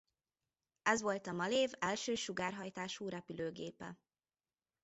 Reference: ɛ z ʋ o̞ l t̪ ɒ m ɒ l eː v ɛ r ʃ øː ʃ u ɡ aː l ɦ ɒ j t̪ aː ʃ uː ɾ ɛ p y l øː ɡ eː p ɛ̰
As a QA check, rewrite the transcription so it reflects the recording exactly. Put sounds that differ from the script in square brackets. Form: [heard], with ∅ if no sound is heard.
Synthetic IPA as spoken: ɛ z ʋ o̞ l t̪ ɒ m ɒ l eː v ɛ [l] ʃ øː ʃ u ɡ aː [r] ɦ ɒ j t̪ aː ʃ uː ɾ ɛ p y l øː ɡ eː p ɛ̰